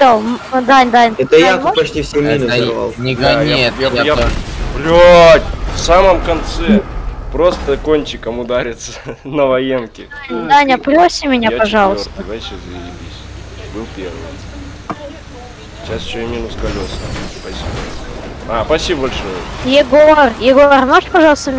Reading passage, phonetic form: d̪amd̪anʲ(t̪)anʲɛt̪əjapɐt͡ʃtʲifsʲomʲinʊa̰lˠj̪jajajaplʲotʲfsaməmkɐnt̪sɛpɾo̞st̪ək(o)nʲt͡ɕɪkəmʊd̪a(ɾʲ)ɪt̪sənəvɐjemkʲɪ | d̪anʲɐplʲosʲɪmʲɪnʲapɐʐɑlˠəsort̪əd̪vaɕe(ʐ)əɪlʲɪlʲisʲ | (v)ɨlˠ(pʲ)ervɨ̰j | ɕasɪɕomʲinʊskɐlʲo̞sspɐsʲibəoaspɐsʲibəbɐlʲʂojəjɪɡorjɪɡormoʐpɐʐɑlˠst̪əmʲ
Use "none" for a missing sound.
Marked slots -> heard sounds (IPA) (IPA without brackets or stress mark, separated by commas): d̪, o, ɾʲ, z, b, pʲ